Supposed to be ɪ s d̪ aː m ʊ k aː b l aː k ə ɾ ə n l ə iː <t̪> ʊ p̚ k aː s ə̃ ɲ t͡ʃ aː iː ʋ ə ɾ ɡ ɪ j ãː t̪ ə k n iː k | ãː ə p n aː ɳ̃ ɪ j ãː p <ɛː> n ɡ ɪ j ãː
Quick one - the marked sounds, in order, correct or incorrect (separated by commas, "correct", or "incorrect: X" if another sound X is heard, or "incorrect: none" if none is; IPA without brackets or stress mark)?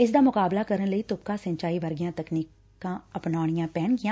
correct, correct